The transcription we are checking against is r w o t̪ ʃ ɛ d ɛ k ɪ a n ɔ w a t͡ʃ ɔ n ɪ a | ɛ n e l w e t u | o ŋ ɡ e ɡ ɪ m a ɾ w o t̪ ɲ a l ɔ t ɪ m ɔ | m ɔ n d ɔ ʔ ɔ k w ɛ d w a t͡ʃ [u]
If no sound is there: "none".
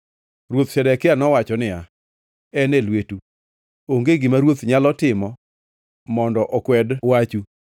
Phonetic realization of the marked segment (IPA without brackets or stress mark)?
u